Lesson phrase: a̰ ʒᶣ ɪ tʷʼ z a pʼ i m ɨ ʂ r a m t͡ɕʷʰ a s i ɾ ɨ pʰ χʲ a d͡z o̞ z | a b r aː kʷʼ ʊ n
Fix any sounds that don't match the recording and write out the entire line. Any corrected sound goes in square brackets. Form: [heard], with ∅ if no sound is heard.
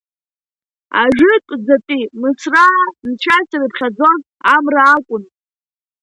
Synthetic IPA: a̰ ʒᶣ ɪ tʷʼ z a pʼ i m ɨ [s] r a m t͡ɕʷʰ a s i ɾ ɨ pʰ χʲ a d͡z o̞ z | a [m] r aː kʷʼ ʊ n

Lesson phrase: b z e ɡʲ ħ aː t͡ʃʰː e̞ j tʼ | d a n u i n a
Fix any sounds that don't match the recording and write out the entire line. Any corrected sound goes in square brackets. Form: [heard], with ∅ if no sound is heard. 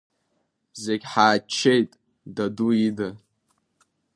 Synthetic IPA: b z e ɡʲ ħ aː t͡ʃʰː e̞ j tʼ | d a [d] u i [d] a

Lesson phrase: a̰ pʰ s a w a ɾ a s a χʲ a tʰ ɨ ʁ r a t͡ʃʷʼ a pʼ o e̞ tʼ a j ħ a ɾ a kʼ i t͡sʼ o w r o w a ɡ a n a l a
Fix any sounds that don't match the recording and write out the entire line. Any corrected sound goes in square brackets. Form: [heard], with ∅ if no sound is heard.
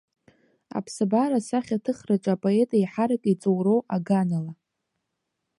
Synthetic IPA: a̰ pʰ s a [b] a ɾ a s a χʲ a tʰ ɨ [χ] r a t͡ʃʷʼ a pʼ o e̞ tʼ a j ħ a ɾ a kʼ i t͡sʼ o w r o w a ɡ a n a l a

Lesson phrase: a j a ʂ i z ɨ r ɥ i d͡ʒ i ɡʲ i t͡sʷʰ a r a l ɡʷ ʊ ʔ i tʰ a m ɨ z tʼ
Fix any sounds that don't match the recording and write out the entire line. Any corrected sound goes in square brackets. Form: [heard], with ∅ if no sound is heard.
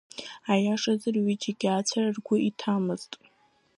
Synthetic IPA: a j a ʂ [a] z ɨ r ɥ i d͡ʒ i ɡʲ [a] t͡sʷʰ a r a [r] ɡʷ ʊ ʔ i tʰ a m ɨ z tʼ

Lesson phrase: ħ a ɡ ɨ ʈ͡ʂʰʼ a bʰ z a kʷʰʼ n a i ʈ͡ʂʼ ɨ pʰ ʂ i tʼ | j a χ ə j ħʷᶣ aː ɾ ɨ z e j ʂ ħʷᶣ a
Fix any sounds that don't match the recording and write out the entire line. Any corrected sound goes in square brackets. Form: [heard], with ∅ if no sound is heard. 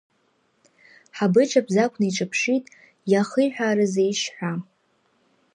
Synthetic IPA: ħ a [b] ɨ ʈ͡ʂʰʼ a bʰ z a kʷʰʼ n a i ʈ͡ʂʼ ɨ pʰ ʂ i tʼ | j a χ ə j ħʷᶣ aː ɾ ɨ z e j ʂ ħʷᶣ a

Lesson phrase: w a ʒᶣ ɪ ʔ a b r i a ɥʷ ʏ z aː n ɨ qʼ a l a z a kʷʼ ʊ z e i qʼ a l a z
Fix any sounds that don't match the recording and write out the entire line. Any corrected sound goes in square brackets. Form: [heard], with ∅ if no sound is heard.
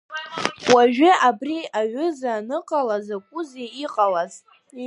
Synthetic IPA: w a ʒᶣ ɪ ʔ a b r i a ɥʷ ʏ z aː n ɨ qʼ a l a z a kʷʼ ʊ z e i qʼ a l a z

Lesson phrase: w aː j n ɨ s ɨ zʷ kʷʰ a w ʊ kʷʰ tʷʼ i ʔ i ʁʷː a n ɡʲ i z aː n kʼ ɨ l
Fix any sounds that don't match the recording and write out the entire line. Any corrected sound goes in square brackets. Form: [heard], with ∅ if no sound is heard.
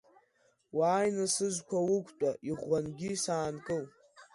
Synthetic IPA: w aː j n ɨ s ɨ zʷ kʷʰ a w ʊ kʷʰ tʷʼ [a] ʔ i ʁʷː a n ɡʲ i [s] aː n kʼ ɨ l

